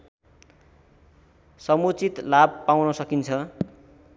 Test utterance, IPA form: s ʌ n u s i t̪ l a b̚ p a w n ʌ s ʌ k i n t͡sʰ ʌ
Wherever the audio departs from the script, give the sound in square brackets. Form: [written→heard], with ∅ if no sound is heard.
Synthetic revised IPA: s ʌ [n→m] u [s→t͡s] i t̪ l a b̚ p a w n ʌ s ʌ k i n t͡sʰ ʌ